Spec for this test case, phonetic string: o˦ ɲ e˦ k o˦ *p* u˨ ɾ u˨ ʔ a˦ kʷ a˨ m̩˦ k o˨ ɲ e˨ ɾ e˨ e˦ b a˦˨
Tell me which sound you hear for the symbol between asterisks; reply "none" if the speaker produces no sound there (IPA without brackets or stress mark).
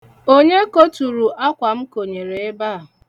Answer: t